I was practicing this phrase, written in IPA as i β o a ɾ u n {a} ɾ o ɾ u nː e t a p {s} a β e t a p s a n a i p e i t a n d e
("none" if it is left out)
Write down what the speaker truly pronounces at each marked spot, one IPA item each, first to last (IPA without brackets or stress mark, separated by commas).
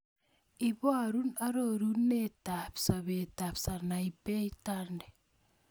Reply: a, s